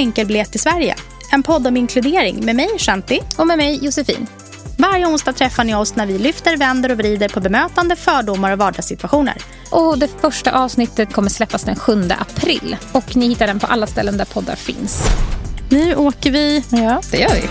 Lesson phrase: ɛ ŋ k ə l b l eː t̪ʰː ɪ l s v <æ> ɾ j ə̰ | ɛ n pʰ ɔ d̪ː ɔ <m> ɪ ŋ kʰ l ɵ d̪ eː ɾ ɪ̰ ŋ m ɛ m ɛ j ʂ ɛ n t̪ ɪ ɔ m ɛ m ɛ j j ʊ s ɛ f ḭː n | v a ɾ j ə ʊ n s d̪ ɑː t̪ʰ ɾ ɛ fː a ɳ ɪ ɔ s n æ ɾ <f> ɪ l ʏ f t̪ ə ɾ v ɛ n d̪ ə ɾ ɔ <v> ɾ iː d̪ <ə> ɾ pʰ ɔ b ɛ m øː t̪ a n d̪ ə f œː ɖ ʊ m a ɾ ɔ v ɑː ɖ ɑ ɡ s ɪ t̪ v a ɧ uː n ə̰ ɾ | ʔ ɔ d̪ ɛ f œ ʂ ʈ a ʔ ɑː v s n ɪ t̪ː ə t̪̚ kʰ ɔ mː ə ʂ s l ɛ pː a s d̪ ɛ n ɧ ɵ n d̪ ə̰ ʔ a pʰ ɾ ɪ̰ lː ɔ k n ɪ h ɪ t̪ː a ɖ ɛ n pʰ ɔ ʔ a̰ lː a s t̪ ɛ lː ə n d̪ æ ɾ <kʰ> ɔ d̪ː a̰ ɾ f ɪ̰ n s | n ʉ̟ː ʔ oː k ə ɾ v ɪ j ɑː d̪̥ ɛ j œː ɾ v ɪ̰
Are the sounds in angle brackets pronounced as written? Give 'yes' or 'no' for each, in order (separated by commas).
yes, yes, no, yes, yes, no